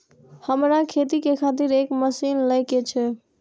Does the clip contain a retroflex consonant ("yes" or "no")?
no